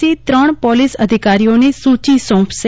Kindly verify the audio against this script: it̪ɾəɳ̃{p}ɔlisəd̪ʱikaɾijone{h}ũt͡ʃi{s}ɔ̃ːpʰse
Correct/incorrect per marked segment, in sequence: correct, incorrect: s, correct

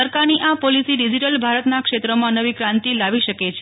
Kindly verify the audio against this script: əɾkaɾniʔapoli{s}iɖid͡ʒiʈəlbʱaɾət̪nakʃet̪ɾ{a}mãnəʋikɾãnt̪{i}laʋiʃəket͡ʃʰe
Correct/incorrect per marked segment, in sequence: correct, incorrect: ə, correct

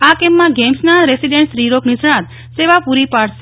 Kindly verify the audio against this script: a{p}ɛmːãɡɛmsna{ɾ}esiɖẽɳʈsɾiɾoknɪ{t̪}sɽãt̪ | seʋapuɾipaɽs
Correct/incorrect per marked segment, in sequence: incorrect: k, correct, incorrect: none

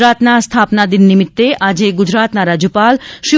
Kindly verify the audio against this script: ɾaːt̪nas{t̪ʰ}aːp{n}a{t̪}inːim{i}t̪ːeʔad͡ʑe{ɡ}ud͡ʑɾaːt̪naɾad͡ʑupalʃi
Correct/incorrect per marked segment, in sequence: correct, correct, incorrect: d̪, correct, correct

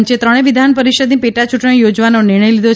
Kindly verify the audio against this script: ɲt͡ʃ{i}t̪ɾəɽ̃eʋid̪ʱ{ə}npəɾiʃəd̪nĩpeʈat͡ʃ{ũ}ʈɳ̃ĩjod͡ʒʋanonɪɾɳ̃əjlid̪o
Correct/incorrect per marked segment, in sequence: incorrect: e, incorrect: a, incorrect: u

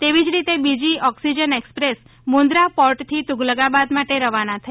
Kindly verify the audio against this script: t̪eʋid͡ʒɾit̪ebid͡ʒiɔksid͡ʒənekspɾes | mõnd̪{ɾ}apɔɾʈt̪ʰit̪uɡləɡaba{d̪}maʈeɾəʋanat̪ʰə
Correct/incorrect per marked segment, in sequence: correct, correct

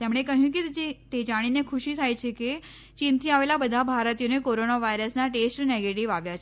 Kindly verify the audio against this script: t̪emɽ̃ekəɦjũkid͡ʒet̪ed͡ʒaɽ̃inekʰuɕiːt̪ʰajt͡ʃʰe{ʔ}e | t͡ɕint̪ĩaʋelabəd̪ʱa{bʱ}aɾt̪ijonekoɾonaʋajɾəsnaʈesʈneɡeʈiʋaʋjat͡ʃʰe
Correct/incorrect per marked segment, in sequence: incorrect: k, correct

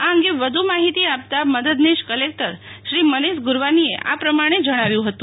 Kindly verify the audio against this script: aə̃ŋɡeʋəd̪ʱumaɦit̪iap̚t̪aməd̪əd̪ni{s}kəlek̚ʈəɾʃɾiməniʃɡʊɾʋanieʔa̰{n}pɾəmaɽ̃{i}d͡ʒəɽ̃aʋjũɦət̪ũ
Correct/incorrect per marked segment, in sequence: incorrect: ʃ, incorrect: none, incorrect: e

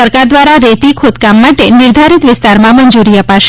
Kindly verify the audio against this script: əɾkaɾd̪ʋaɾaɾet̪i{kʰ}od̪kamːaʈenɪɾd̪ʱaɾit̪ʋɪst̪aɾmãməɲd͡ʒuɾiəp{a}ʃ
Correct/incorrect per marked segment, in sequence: correct, correct

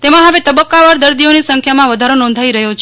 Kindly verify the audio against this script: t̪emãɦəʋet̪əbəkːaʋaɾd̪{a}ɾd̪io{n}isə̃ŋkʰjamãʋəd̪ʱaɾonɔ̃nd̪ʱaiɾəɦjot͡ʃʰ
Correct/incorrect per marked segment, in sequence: incorrect: ə, correct

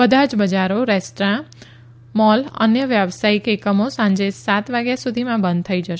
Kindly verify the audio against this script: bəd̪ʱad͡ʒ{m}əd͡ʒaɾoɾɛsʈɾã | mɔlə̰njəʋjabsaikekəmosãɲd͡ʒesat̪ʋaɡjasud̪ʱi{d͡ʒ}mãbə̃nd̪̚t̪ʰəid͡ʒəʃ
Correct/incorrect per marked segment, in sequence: incorrect: b, incorrect: none

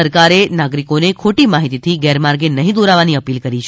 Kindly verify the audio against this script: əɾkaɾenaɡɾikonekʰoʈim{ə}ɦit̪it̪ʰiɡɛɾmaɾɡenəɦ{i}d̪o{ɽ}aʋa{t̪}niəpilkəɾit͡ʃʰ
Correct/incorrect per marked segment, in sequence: incorrect: a, incorrect: ĩ, incorrect: ɾ, incorrect: none

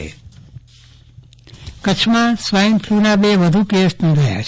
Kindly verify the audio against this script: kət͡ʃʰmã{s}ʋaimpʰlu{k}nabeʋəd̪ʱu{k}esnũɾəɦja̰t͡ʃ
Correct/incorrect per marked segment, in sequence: correct, incorrect: none, correct

